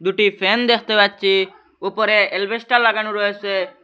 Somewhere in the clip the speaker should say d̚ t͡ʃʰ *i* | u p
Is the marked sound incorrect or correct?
correct